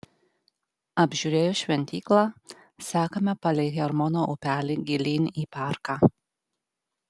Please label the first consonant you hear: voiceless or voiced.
voiced